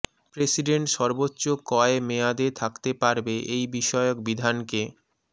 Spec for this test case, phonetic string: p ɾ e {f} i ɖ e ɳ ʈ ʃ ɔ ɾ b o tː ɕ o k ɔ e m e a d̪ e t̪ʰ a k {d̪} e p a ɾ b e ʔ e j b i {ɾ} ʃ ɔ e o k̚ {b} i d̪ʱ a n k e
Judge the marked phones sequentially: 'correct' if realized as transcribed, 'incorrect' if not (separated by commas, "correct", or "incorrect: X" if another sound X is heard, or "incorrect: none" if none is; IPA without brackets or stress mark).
incorrect: s, incorrect: t̪, incorrect: none, correct